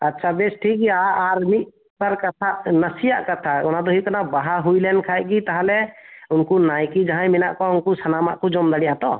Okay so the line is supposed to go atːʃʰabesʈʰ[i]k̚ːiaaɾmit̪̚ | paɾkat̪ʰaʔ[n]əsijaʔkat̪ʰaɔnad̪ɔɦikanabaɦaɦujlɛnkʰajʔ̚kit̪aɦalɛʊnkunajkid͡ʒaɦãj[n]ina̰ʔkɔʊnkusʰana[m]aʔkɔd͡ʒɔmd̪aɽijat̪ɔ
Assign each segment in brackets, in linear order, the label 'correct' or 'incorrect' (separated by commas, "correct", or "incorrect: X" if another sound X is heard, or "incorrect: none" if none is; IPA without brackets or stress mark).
correct, correct, incorrect: m, correct